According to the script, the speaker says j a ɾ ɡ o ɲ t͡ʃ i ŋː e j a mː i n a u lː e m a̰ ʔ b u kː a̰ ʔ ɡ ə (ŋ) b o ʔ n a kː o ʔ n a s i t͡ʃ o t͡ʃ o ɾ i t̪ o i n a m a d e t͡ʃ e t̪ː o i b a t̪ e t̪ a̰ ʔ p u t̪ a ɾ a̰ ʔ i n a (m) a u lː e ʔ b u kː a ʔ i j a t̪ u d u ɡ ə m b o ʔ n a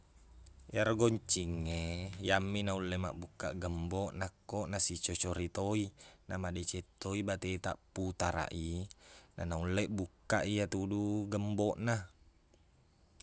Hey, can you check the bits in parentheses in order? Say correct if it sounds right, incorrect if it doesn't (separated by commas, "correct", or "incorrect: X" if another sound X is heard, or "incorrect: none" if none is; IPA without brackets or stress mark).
incorrect: m, incorrect: n